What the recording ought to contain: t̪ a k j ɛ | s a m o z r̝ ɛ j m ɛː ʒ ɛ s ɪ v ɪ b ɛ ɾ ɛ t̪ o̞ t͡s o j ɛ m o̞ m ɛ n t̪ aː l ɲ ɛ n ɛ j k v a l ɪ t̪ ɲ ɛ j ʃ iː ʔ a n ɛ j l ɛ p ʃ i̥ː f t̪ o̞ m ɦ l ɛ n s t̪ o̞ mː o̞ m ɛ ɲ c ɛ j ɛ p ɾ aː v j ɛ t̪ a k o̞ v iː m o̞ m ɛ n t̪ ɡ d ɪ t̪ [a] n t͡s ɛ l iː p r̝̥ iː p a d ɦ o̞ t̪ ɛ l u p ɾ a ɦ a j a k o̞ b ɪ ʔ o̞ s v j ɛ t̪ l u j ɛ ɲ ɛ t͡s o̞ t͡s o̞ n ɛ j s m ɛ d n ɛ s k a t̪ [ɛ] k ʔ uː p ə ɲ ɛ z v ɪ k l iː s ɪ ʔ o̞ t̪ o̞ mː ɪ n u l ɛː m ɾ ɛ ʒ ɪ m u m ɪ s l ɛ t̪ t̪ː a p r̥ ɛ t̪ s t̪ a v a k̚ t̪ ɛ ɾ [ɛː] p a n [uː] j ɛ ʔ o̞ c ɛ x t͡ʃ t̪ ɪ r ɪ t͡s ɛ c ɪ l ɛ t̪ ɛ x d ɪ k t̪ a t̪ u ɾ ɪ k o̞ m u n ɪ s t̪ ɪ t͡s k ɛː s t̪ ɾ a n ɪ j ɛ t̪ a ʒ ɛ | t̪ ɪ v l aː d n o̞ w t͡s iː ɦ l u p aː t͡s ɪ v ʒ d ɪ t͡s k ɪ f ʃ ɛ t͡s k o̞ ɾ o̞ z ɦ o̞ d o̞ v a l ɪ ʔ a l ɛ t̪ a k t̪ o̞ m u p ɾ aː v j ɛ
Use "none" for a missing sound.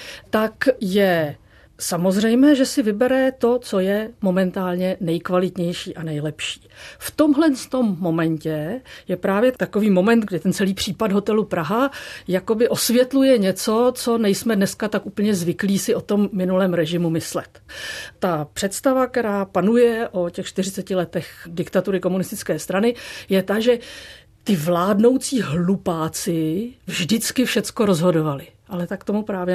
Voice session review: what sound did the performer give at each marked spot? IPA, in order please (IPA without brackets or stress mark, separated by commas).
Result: ɛ, a, aː, u